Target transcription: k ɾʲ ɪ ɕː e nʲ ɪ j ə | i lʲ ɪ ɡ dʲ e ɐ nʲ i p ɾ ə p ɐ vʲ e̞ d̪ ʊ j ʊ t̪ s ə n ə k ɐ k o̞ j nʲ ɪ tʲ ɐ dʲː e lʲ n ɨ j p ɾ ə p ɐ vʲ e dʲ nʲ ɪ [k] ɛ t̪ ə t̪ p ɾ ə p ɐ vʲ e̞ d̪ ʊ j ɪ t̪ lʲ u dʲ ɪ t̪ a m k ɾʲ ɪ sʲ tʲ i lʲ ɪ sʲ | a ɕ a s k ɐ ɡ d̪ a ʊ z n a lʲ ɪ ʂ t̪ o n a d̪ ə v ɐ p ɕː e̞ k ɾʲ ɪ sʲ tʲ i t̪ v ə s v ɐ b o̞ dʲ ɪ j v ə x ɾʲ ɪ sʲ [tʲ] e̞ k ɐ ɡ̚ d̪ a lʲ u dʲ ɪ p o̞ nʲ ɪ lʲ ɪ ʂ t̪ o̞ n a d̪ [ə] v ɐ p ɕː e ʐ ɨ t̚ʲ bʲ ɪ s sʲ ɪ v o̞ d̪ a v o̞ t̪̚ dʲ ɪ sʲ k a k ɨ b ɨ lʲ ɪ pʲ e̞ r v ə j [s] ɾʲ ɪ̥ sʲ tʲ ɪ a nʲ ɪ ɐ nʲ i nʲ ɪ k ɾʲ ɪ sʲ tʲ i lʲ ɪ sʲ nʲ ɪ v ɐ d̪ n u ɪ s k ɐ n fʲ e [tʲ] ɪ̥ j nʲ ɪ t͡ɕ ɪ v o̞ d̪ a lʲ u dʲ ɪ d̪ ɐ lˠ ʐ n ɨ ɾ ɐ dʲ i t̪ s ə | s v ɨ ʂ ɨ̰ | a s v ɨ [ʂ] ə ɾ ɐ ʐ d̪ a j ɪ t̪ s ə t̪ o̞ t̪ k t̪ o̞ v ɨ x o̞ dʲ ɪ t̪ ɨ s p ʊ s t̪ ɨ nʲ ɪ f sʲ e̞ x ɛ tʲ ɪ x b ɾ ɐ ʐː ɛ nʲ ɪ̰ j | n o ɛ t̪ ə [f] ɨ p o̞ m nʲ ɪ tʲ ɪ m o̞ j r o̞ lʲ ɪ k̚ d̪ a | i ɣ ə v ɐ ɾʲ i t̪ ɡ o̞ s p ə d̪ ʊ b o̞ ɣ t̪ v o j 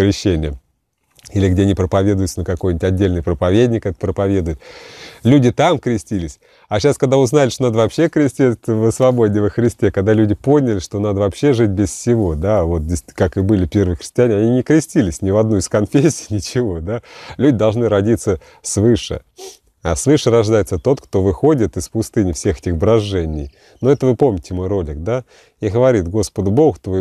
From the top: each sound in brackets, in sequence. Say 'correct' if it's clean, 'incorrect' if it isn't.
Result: correct, correct, correct, incorrect: x, incorrect: sʲ, correct, incorrect: v

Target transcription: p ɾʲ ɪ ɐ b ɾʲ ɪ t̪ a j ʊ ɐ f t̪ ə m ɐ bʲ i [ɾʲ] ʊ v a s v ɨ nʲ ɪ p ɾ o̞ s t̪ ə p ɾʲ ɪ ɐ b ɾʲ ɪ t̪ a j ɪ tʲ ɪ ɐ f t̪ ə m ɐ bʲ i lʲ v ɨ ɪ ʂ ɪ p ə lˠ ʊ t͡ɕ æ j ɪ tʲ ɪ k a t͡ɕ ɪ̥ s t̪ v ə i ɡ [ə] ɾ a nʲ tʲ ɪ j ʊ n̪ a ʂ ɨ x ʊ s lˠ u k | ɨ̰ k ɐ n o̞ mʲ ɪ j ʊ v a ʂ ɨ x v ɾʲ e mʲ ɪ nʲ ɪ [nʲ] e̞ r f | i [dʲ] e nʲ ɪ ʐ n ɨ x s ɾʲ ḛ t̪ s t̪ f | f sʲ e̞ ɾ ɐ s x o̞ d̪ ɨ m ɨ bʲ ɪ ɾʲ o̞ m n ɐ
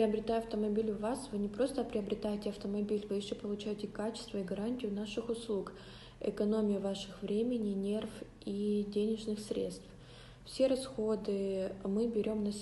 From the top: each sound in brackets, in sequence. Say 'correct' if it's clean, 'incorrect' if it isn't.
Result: incorrect: lʲ, incorrect: ɐ, correct, correct

